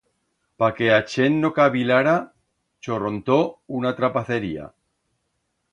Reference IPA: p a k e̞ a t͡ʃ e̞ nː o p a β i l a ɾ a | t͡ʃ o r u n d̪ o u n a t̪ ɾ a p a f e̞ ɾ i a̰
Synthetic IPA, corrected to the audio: p a k e̞ a t͡ʃ e̞ nː o k a β i l a ɾ a | t͡ʃ o r o n t̪ o u n a t̪ ɾ a p a θ e̞ ɾ i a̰